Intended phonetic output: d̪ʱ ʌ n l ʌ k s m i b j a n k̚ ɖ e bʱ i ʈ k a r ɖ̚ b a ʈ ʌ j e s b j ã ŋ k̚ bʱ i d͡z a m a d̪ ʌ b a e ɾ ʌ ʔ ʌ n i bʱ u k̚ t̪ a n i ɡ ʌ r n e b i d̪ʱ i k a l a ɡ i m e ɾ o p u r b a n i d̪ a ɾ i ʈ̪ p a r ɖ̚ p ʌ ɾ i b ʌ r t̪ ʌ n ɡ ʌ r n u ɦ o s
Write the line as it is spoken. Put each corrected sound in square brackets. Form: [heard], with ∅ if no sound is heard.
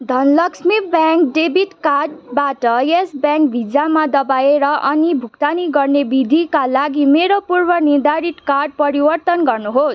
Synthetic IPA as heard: d̪ʱ ʌ n l ʌ k s m i b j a [ŋ] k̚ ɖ e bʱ i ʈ k a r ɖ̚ b a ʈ ʌ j e s b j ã ŋ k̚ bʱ i d͡z a m a d̪ ʌ b a e ɾ ʌ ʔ ʌ n i bʱ u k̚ t̪ a n i ɡ ʌ r n e b i d̪ʱ i k a l a ɡ i m e ɾ o p u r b [ʌ] n i d̪ a ɾ i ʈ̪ [k] a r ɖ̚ p ʌ ɾ i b ʌ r t̪ ʌ n ɡ ʌ r n u ɦ o s